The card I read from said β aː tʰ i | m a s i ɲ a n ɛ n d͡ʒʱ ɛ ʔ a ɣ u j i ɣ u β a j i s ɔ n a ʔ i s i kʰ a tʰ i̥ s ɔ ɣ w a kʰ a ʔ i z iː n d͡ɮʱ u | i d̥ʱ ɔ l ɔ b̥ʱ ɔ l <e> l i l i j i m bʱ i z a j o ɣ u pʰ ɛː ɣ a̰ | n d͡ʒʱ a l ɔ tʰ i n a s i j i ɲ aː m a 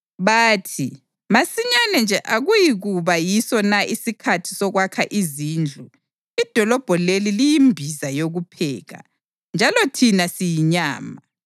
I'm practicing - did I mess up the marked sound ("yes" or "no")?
no